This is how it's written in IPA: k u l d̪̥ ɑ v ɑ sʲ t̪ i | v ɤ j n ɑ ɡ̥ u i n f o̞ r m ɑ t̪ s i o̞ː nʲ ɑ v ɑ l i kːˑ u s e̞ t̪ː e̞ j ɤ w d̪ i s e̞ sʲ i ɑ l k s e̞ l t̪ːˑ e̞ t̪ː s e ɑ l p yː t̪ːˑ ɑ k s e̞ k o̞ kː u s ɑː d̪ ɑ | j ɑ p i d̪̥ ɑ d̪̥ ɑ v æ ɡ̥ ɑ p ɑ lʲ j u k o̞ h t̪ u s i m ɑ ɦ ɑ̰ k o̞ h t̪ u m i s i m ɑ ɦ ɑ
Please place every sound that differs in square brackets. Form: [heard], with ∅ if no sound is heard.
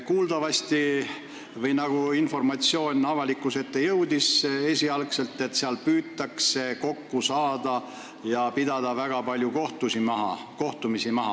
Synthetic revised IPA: k [uː] l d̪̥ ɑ v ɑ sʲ t̪ i | v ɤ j n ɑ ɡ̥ u i n f o̞ r m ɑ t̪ s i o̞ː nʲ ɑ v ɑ l i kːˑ u s e̞ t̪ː e̞ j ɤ w d̪ i s e̞ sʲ i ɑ l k s e̞ l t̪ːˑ e̞ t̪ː s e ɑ l p yː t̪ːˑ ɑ k s e̞ k o̞ kː u s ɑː d̪ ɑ | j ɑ p i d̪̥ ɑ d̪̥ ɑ v æ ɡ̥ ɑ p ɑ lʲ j u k o̞ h t̪ u s i m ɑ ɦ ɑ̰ k o̞ h t̪ u m i s i m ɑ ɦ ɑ

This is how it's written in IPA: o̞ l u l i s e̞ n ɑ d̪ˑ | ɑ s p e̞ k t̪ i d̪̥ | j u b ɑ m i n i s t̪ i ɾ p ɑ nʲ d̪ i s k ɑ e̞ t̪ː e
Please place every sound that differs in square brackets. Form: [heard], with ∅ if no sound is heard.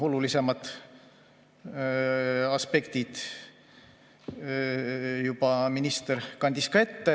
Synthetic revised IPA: o̞ l u l i s e̞ [m] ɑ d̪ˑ | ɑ s p e̞ k t̪ i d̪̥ | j u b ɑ m i n i s t̪ [e] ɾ [k] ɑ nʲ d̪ i s k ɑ e̞ t̪ː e

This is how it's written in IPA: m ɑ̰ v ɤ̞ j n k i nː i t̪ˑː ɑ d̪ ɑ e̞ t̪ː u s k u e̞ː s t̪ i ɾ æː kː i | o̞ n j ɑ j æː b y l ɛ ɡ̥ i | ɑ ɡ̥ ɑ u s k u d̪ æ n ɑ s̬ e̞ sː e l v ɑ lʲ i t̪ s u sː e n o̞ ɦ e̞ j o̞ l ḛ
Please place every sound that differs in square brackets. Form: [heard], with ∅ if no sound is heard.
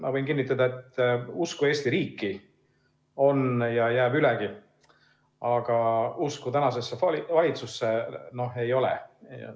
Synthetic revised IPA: m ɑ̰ v ɤ̞ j n k i nː i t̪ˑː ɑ d̪ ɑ e̞ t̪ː u s k u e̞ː s t̪ i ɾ [iː] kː i | o̞ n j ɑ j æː b y l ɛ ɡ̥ i | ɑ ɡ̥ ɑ u s k u [t̪] æ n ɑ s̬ e̞ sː e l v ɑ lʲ i t̪ s u sː e n o̞ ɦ e̞ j o̞ l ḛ

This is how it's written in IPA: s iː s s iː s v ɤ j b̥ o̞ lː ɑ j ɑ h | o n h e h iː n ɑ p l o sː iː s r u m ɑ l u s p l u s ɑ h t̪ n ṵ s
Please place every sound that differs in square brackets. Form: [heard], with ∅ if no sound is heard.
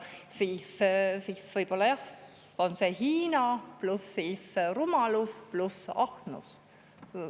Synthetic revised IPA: s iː s s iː s v ɤ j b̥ o̞ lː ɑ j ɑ h | o n [s] e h iː n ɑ p l [u] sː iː s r u m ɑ l u s p l u s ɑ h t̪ n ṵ s

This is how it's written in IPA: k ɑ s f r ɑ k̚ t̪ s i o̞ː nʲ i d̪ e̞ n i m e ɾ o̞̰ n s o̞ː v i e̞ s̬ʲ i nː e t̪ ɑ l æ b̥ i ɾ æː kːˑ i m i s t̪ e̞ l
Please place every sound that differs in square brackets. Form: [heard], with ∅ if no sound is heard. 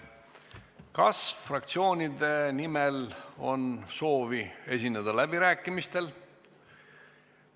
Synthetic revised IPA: k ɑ s f r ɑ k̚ t̪ s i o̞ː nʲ i d̪ e̞ n i m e [l] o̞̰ n s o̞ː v i e̞ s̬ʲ i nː e [d̪] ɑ l æ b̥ i ɾ æː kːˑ i m i s t̪ e̞ l

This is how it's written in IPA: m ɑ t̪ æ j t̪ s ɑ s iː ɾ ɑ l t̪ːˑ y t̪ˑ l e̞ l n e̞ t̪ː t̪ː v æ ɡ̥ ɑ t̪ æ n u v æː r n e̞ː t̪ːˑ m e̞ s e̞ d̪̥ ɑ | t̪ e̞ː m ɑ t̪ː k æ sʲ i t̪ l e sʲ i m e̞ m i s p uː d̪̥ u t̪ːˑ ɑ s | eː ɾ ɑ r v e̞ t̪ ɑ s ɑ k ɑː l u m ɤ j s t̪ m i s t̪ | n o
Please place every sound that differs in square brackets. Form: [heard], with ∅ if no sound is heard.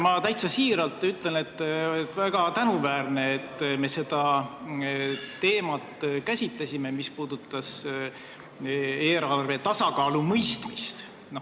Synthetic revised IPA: m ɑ t̪ æ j t̪ s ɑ s iː ɾ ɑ l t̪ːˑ y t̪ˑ l e̞ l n e̞ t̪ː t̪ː v æ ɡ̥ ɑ t̪ æ n u v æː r n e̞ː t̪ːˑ m e̞ s e̞ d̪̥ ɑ | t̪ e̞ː m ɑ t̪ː k æ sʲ i t̪ l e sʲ i m e̞ m i s p uː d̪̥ u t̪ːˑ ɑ s | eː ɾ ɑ r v e̞ t̪ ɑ s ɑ k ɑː l u m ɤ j s t̪ m i s t̪ | n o

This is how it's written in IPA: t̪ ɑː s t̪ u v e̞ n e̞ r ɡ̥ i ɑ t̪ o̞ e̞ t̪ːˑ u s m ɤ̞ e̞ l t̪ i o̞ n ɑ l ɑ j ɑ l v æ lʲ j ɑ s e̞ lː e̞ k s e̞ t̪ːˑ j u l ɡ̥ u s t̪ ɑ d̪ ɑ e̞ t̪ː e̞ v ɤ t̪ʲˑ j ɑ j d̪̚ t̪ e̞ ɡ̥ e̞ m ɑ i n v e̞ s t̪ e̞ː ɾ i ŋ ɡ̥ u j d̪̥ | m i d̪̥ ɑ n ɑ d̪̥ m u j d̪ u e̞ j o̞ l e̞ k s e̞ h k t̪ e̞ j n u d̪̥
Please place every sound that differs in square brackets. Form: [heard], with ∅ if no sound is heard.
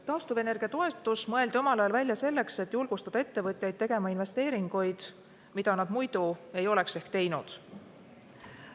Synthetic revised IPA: t̪ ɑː s t̪ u v e̞ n e̞ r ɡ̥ i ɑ t̪ o̞ e̞ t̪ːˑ u s m ɤ̞ e̞ l [d̪] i o̞ [m] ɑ l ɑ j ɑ l v æ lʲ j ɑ s e̞ lː e̞ k s e̞ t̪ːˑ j u l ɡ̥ u s t̪ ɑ d̪ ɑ e̞ t̪ː e̞ v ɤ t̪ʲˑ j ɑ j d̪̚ t̪ e̞ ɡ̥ e̞ m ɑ i n v e̞ s t̪ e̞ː ɾ i ŋ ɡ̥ u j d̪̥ | m i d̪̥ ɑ n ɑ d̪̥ m u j d̪ u e̞ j o̞ l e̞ k s e̞ h k t̪ e̞ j n u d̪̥

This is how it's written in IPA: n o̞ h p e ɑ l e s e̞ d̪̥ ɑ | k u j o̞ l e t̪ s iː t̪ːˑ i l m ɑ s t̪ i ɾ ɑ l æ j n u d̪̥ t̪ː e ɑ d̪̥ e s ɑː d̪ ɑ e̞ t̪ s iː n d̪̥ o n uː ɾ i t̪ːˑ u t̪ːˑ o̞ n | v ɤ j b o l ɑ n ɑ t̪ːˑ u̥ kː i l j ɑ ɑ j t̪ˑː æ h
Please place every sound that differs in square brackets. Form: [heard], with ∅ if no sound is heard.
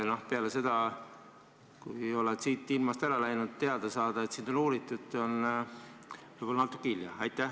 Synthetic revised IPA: n o̞ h p e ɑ l e s e̞ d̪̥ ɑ | k u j o̞ l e t̪ s iː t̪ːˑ i l m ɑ s t̪ [æ] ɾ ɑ l æ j n u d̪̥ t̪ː e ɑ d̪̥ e s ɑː d̪ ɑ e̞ t̪ s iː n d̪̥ o n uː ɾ i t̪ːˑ u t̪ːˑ o̞ n | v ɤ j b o l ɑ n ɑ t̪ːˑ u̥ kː i l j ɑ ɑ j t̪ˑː æ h

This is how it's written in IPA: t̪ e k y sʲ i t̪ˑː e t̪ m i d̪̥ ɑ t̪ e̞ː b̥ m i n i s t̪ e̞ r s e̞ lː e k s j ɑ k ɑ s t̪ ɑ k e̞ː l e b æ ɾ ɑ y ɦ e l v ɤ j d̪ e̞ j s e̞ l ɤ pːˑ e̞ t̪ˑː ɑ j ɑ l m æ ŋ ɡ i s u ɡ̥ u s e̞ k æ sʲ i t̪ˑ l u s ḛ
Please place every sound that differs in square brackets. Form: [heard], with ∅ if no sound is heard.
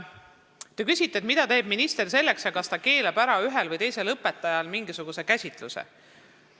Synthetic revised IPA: t̪ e k y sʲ i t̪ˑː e t̪ m i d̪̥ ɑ t̪ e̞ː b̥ m i n i s t̪ e̞ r s e̞ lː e k s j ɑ k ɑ s t̪ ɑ k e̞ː l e b æ ɾ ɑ y ɦ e l v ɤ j [t̪] e̞ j s e̞ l ɤ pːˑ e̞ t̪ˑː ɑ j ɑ l m [i] ŋ ɡ i s u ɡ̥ u s e̞ k æ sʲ i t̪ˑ l u s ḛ

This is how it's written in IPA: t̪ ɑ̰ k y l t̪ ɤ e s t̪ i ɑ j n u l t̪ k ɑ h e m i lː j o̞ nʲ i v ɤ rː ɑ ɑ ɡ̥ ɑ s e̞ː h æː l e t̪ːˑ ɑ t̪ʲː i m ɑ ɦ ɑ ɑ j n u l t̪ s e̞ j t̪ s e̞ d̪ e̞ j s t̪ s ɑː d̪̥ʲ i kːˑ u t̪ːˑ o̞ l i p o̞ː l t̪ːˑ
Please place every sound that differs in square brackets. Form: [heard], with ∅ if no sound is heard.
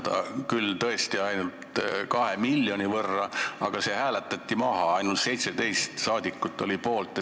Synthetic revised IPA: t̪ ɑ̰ k y l t̪ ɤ e s t̪ i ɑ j n u l t̪ k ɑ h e m i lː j o̞ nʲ i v ɤ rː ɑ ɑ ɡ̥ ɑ s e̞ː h æː l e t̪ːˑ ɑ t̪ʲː i m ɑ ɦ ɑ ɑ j n u l t̪ s e̞ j t̪ s e̞ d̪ e̞ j s t̪ s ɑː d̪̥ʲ i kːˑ u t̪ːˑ o̞ l i p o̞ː l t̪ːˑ

